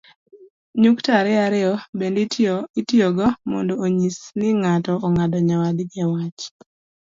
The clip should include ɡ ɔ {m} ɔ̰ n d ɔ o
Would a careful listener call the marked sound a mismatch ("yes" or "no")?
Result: no